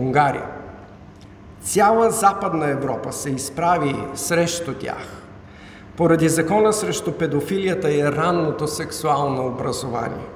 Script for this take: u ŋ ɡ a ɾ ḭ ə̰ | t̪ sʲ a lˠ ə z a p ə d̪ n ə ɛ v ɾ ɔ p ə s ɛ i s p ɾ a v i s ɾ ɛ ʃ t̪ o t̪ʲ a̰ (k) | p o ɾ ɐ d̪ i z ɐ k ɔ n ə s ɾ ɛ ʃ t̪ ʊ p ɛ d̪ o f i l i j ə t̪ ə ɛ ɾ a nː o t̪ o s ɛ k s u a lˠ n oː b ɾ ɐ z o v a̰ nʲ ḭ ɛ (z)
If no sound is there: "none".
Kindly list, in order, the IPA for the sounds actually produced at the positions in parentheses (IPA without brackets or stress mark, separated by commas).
x, none